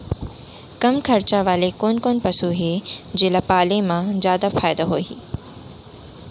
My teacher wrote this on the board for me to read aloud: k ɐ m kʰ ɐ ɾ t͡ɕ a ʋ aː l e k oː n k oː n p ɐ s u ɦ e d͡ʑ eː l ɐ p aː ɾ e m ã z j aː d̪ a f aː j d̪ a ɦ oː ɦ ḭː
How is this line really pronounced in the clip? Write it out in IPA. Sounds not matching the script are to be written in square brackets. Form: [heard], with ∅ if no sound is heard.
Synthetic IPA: k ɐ m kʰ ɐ ɾ t͡ɕ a ʋ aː l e k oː n k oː n p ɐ s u ɦ e d͡ʑ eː l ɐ p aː [l] e m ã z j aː d̪ a f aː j d̪ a ɦ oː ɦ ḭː